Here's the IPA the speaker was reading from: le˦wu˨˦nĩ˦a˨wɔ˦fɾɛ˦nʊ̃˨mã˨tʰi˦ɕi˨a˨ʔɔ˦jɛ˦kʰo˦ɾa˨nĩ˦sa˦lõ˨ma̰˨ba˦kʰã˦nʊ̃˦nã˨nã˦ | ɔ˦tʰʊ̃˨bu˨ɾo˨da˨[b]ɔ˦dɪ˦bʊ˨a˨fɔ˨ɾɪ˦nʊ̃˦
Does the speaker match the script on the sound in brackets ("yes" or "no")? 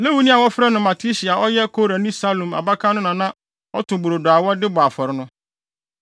no